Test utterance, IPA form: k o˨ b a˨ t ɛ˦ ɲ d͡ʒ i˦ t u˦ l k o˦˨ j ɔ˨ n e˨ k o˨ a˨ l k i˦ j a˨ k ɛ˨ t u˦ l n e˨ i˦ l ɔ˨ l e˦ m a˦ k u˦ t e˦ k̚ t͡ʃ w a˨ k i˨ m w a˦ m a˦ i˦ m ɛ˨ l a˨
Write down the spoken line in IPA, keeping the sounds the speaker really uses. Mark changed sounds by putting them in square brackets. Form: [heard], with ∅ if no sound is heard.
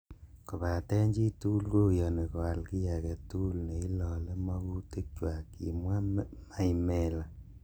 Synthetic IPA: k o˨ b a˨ t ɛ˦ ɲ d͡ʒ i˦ t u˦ l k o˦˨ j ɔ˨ n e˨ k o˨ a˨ l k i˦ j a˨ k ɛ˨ t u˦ l n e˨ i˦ l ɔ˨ l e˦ m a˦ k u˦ t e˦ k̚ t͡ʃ w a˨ k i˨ m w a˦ m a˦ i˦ m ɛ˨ l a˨